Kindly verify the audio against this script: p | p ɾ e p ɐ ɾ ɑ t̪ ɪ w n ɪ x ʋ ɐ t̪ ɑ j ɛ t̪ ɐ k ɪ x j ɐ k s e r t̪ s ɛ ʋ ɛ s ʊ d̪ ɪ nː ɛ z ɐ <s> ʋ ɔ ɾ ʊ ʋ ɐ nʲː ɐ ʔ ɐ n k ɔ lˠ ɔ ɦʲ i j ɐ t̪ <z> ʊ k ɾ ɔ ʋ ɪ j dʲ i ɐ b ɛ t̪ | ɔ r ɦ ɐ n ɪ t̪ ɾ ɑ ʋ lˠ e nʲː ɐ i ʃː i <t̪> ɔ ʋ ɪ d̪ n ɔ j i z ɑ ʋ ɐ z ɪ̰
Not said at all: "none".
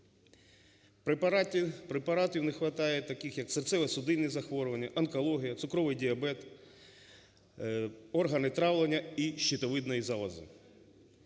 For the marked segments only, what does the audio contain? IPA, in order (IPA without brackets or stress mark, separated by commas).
x, s, t̪